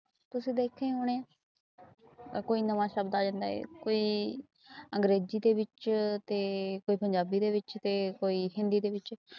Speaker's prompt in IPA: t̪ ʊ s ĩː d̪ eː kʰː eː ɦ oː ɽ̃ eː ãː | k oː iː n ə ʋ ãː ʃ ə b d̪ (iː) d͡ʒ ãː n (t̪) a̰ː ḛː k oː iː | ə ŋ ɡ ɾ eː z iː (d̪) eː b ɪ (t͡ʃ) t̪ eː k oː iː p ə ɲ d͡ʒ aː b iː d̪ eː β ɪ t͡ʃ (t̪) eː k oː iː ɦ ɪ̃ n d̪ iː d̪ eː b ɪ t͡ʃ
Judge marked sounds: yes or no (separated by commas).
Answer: no, no, yes, yes, yes